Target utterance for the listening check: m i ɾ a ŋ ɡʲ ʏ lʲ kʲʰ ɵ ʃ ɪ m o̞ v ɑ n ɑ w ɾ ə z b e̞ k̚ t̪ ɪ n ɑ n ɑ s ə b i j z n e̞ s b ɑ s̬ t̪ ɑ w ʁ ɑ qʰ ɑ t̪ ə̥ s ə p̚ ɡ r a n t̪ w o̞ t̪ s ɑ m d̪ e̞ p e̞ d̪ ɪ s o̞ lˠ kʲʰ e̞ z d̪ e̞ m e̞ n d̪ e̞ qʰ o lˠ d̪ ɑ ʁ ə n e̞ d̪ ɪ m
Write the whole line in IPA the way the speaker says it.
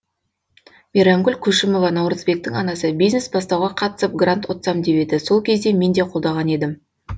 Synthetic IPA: m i ɾ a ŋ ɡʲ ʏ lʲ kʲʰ ɵ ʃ ɪ m o̞ v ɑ n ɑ w ɾ ə z b e̞ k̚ t̪ ɪ ŋ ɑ n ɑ s ə b i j z n e̞ s b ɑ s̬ t̪ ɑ w ʁ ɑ qʰ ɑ t̪ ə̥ s ə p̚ ɡ r a n t̪ w o̞ t̪ s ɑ m d̪ e̞ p e̞ d̪ ɪ s o̞ lˠ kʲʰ e̞ z d̪ e̞ m e̞ n d̪ e̞ qʰ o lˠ d̪ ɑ ʁ ɑ n e̞ d̪ ɪ m